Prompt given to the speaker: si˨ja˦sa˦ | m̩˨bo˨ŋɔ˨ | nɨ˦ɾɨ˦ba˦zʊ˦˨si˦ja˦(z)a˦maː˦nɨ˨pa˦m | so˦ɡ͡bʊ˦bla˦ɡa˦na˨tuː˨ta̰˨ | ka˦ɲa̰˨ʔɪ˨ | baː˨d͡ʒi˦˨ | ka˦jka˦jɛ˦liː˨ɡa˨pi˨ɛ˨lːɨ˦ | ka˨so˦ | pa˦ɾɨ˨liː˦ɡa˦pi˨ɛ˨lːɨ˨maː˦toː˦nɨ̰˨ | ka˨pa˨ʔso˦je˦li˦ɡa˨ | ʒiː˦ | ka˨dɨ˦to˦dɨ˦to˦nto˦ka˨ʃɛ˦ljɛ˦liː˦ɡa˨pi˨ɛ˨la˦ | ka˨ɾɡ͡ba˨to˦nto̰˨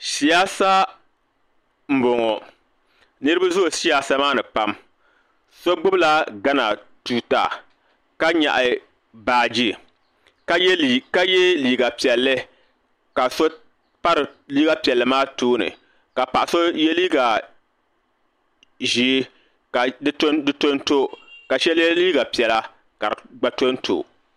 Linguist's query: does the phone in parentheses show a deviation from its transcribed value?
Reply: yes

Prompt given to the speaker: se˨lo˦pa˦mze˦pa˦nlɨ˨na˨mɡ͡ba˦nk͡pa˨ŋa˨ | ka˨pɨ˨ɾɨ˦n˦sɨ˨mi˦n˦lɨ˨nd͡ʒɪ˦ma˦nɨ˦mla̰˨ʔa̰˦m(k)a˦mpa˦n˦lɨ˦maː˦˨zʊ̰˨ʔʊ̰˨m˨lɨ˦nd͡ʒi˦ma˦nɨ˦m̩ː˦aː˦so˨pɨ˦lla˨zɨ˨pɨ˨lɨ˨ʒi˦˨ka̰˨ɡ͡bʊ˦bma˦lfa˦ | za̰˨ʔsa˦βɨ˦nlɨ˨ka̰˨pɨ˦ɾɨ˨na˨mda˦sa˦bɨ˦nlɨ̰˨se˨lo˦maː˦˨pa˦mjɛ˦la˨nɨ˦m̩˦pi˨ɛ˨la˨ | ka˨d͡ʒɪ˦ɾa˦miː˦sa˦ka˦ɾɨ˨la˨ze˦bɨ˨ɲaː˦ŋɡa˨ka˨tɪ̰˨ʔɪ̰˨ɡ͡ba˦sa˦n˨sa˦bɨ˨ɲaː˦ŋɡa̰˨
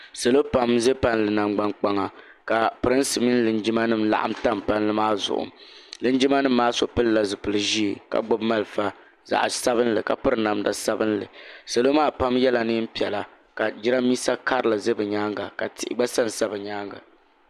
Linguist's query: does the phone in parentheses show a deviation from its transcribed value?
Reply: yes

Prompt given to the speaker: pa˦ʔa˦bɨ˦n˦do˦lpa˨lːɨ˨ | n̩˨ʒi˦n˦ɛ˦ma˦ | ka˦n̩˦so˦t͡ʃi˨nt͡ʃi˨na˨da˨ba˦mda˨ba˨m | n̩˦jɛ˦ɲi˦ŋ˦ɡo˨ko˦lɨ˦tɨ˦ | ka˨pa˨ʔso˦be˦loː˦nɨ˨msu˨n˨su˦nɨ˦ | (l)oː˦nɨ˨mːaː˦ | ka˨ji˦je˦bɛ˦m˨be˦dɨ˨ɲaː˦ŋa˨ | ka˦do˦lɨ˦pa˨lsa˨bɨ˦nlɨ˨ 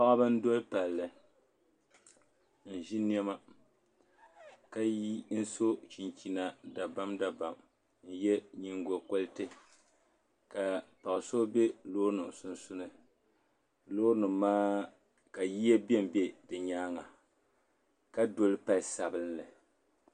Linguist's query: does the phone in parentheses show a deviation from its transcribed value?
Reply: no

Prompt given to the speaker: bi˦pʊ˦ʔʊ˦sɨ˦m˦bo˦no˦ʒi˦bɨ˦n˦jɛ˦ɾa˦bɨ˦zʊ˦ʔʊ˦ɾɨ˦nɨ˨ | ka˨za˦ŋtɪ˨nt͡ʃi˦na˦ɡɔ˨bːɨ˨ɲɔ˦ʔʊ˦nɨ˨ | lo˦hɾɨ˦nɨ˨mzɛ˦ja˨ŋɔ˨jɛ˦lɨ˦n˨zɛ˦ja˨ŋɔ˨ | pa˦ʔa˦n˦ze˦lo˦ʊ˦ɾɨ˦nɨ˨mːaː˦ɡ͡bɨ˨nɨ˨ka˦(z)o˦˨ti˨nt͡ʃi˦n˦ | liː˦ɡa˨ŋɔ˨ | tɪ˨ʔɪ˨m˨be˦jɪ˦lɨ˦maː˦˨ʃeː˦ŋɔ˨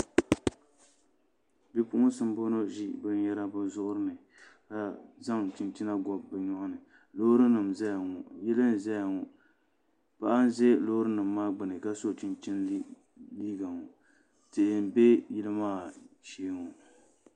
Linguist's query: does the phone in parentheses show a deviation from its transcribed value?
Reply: yes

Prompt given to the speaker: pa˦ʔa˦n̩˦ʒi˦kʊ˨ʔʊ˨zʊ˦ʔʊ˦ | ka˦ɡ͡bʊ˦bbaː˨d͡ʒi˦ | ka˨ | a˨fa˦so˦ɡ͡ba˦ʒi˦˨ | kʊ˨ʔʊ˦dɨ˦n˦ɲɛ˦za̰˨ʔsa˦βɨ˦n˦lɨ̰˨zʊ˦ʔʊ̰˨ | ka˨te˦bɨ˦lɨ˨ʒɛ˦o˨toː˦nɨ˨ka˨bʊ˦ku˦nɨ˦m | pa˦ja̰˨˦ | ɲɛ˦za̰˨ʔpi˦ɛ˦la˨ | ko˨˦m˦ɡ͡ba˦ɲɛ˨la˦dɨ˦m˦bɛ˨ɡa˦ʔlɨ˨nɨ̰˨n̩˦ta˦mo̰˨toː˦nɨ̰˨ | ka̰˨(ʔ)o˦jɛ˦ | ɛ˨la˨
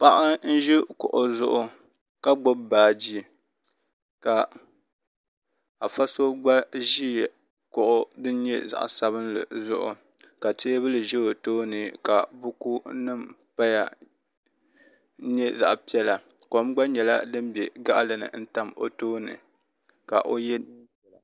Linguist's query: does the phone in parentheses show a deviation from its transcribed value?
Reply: no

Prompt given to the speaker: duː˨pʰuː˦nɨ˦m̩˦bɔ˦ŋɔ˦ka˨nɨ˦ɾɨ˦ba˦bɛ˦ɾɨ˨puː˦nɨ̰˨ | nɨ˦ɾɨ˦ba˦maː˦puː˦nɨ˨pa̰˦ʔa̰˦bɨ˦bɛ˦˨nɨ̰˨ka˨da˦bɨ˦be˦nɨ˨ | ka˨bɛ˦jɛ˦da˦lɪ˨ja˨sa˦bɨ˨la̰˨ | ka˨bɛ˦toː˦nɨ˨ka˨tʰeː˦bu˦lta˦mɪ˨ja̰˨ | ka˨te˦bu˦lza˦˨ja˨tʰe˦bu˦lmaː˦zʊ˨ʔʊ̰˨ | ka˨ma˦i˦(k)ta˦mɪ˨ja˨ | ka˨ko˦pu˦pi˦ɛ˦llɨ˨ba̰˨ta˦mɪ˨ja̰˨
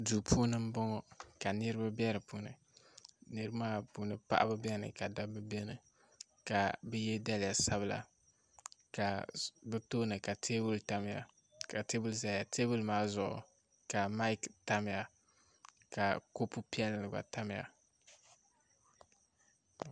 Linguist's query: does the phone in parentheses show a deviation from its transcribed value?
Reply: no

